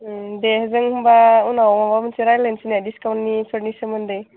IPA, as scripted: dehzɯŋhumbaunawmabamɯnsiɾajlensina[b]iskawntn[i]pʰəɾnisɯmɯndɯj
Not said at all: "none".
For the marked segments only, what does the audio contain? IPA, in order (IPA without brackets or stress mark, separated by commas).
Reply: d, i